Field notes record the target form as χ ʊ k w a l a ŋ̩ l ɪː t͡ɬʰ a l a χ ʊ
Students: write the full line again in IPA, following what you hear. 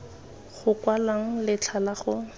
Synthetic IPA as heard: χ ʊ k w a l a ŋ̩ l ɪ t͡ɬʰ a l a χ ʊ